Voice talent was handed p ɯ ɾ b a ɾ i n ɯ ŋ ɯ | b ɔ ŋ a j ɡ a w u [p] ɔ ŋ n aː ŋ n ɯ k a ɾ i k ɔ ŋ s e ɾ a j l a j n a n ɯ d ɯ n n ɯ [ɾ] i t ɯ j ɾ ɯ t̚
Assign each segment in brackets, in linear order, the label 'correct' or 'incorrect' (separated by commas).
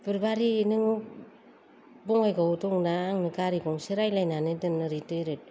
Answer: incorrect, correct